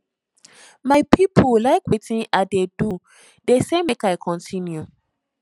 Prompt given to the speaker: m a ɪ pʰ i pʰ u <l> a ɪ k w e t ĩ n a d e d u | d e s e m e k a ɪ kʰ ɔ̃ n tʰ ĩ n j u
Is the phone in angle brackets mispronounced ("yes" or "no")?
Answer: no